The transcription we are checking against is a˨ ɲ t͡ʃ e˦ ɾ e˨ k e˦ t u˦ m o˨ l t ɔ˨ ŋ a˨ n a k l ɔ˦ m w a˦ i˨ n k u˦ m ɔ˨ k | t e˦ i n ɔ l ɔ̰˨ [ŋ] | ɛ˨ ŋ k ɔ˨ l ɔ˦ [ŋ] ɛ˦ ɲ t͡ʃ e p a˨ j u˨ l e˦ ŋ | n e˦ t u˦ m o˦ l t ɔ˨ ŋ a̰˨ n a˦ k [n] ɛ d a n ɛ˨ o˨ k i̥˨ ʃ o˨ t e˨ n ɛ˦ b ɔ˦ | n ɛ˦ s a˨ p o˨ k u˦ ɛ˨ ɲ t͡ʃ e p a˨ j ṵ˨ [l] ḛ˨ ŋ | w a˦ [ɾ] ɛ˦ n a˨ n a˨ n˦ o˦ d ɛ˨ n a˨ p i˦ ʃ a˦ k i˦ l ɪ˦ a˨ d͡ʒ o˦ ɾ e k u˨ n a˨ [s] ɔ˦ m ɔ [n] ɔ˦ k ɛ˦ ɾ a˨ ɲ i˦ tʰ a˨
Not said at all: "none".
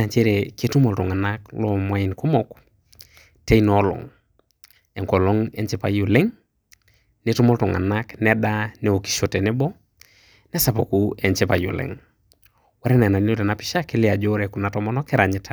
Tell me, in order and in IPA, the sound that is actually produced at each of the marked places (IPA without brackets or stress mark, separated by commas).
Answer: ŋ, ŋ, n, l, ɾ, t, n